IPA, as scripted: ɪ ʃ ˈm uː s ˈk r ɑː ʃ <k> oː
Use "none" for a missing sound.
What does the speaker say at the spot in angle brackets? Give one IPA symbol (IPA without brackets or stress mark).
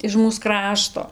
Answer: t